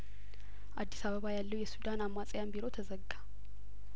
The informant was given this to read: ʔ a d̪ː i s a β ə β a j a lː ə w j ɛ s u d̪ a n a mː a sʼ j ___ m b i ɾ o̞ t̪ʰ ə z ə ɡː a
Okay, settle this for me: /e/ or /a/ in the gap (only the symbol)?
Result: a